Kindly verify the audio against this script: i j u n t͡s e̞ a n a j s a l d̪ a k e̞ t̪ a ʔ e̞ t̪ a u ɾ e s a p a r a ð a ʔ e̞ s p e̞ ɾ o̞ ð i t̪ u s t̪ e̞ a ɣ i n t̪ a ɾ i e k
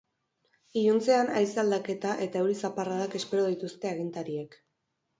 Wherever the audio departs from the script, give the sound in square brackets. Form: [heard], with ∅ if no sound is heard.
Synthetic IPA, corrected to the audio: i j u n t͡s e̞ a n a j s a l d̪ a k e̞ t̪ a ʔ e̞ t̪ a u ɾ [i] s a p a r a ð a [k] e̞ s p e̞ ɾ o̞ ð i t̪ u s t̪ e̞ a ɣ i n t̪ a ɾ i e k